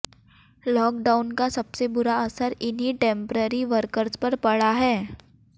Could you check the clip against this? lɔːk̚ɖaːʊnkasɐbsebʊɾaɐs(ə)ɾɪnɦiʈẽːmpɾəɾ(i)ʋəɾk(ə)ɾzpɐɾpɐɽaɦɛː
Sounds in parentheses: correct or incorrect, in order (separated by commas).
correct, correct, correct